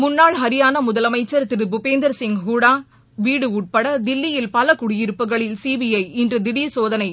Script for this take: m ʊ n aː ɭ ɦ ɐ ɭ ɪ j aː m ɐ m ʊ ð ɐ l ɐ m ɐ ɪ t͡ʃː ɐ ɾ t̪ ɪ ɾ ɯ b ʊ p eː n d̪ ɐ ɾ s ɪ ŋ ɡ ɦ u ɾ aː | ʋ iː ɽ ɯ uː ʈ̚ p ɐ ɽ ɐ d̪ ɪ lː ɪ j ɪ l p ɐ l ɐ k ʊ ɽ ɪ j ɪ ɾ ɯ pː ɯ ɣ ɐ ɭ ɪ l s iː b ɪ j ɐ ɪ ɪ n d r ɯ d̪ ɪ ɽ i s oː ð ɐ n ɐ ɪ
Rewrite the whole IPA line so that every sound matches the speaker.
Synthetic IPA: m ʊ nː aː ɭ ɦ ɐ ɾ ɪ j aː n ɐ m ʊ ð ɐ l ɐ m ɐ ɪ t͡ʃː ɐ ɾ t̪ ɪ ɾ ɯ b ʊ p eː n d̪ ɐ ɾ s ɪ ŋ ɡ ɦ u ɽ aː | ʋ iː ɽ ɯ uː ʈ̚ p ɐ ɽ ɐ d̪ ɪ lː ɪ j ɪ l p ɐ l ɐ k ʊ ɽ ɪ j ɪ ɾ ɯ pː ɯ ɣ ɐ ɭ ɪ l s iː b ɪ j ɐ ɪ ɪ n d r ɯ d̪ ɪ ɽ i s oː ð ɐ n ɐ ɪ